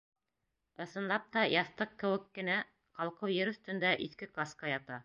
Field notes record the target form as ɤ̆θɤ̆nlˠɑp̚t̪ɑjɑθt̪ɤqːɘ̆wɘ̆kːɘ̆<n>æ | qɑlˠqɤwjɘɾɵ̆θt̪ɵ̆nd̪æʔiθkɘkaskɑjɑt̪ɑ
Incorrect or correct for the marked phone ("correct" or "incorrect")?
correct